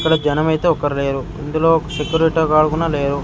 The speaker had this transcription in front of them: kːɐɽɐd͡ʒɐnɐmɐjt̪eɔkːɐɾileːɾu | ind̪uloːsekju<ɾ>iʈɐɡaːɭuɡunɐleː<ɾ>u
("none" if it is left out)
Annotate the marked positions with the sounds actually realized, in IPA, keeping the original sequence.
ɾ, ɾ

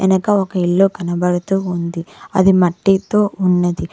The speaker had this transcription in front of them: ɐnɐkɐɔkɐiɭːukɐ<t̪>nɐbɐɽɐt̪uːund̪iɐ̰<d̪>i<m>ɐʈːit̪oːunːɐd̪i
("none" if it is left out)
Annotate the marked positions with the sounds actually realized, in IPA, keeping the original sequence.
none, d̪, m

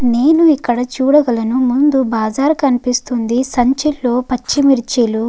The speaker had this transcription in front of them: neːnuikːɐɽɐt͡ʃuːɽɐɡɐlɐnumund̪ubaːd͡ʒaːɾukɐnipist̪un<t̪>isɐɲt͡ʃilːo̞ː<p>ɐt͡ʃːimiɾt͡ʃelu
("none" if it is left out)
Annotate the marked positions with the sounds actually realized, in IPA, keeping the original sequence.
d̪, p

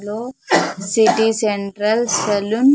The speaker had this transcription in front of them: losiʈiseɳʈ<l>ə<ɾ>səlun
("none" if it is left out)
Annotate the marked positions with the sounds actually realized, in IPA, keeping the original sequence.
ɾ, l

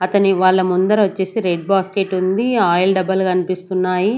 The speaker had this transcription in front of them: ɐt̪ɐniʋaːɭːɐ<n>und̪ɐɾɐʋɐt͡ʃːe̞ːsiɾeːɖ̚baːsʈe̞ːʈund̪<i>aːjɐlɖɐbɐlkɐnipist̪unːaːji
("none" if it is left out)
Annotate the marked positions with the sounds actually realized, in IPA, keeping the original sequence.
m, i

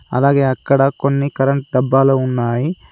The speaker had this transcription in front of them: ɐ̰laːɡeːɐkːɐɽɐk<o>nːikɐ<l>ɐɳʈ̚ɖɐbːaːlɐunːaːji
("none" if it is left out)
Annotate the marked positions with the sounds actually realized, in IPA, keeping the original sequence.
o, ɾ

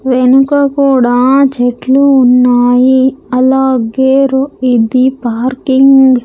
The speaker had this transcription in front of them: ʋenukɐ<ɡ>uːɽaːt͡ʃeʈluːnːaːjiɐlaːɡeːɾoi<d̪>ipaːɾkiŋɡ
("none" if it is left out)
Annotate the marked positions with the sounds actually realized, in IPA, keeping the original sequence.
k, d̪

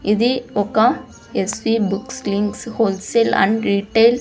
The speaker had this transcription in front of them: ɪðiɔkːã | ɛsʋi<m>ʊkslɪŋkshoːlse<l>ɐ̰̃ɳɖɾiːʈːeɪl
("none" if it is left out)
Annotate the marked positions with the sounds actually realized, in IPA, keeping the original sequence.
b, l

